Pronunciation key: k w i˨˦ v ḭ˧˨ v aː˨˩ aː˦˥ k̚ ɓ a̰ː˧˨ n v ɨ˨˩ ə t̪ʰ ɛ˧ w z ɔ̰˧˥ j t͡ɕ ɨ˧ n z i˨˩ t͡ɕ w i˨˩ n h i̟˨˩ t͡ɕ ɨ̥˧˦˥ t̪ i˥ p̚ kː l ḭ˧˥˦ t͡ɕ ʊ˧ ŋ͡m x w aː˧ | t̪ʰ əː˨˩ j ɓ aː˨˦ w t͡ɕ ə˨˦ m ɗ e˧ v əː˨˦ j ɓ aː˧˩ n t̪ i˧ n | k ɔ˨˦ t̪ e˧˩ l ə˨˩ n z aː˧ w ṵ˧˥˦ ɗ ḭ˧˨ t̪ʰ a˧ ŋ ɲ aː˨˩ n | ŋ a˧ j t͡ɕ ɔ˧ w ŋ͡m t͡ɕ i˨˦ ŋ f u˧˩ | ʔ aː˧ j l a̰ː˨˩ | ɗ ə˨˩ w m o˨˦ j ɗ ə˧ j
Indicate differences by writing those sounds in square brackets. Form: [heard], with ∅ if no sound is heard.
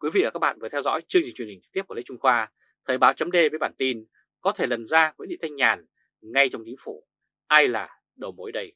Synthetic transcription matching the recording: k w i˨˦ v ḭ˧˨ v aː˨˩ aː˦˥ k̚ ɓ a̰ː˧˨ n v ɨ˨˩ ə t̪ʰ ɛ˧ w z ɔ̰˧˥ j t͡ɕ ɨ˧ [ŋ] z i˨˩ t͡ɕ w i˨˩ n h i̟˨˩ t͡ɕ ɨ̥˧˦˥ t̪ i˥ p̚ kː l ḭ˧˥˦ t͡ɕ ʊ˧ ŋ͡m x w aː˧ | t̪ʰ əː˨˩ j ɓ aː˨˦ w t͡ɕ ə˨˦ m ɗ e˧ v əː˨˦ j ɓ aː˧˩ n t̪ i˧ n | k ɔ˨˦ [t̪ʰ] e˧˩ l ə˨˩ n z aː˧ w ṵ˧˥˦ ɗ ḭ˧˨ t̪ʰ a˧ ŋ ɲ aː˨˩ n | ŋ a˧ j t͡ɕ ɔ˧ w ŋ͡m t͡ɕ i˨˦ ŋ f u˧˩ | ʔ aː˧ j l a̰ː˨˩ | ɗ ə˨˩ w m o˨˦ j ɗ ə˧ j